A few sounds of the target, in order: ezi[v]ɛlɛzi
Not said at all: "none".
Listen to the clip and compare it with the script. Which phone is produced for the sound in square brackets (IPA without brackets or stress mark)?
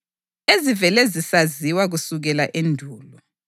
v